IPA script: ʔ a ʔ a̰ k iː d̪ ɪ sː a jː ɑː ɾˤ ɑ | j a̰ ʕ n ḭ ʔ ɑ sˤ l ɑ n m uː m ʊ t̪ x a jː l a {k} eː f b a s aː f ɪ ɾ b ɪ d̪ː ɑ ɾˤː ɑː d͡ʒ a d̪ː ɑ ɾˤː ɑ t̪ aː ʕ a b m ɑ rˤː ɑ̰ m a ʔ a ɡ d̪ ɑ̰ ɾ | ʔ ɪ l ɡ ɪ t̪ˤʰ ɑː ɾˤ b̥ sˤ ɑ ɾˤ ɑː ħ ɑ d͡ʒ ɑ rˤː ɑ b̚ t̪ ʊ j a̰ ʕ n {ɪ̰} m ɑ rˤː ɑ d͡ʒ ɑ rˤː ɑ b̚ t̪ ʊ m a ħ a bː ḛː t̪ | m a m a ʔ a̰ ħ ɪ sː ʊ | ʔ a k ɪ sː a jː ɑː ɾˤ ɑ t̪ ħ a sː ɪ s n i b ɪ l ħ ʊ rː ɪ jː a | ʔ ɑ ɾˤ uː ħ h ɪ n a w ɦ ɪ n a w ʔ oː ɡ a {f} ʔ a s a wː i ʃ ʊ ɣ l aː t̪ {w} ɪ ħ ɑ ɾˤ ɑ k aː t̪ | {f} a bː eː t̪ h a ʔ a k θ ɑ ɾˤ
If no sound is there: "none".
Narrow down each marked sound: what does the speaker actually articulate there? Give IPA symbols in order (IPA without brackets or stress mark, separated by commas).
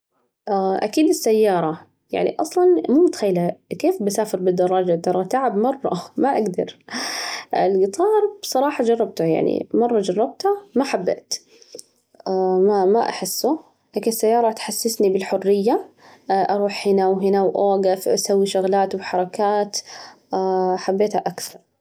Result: k, ḭ, f, w, ħ